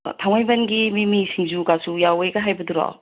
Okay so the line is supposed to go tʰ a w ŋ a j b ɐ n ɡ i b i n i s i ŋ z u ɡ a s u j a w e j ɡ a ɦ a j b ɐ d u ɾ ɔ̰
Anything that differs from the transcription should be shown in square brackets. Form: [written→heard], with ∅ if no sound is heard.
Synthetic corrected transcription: tʰ a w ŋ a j b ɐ n ɡ i [b→m] i [n→m] i s i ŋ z u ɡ a s u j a w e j ɡ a ɦ a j b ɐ d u ɾ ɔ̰